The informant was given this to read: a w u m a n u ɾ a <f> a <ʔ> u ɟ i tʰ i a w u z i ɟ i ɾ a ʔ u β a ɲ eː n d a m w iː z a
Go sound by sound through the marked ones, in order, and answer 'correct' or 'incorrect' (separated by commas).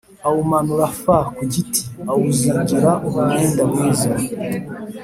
correct, incorrect